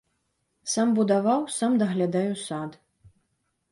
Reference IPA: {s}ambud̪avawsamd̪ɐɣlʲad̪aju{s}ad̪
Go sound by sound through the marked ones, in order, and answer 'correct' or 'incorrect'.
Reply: correct, correct

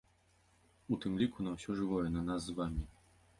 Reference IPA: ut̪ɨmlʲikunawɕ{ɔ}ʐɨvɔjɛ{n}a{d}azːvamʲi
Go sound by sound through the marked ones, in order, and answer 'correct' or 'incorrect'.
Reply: correct, correct, incorrect: n

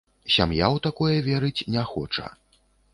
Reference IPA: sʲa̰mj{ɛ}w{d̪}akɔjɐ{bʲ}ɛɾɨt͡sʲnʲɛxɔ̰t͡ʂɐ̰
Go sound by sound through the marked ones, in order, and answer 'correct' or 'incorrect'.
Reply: incorrect: a, incorrect: t̪, incorrect: vʲ

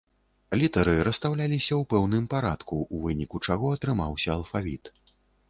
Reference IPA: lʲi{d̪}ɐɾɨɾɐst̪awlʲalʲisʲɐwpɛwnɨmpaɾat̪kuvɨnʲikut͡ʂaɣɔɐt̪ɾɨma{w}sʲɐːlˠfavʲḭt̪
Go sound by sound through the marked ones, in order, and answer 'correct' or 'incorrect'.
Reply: incorrect: t̪, correct

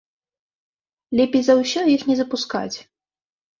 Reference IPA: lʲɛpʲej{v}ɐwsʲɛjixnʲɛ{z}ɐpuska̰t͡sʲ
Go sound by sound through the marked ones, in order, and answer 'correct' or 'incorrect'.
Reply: incorrect: z, correct

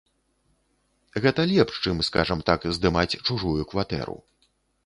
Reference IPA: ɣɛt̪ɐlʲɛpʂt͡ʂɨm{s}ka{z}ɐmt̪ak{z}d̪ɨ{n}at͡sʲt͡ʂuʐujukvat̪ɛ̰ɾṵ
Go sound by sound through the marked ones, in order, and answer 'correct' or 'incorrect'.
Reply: correct, incorrect: ʐ, correct, incorrect: m

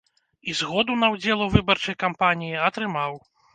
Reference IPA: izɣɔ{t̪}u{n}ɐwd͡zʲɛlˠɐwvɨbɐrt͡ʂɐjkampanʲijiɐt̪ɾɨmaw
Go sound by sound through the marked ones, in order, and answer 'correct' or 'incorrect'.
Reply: incorrect: d̪, correct

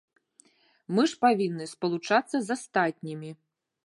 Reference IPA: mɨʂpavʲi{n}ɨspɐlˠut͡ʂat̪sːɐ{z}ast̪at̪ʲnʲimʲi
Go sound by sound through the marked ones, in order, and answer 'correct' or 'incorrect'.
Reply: incorrect: nː, correct

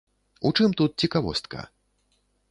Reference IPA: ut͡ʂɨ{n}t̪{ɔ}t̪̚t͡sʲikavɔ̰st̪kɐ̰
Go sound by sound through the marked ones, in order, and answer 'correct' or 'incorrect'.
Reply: incorrect: m, incorrect: u

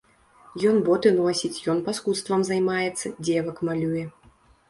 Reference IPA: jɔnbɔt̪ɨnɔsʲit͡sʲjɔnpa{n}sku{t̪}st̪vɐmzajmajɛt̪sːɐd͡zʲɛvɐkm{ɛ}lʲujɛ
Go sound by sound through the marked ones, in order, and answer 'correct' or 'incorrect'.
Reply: incorrect: none, correct, incorrect: a

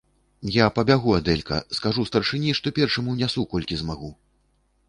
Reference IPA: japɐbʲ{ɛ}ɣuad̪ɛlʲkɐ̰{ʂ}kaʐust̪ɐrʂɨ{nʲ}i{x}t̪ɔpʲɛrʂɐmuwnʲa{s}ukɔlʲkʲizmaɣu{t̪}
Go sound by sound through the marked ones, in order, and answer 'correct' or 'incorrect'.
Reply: incorrect: a, incorrect: s, correct, incorrect: ʂ, correct, incorrect: none

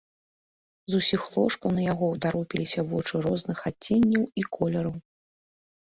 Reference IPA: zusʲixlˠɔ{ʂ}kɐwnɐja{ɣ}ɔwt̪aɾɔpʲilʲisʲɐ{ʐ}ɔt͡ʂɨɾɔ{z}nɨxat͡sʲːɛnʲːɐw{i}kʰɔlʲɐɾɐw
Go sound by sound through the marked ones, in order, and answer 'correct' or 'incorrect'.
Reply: correct, correct, incorrect: v, correct, correct

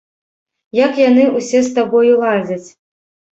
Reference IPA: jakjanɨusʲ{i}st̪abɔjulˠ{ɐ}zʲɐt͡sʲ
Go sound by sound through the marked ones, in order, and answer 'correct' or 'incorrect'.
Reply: incorrect: ɛ, incorrect: a

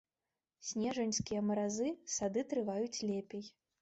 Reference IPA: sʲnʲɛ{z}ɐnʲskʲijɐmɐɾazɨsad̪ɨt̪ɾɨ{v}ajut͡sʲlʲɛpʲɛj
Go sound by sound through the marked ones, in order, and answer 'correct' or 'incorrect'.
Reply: incorrect: ʐ, correct

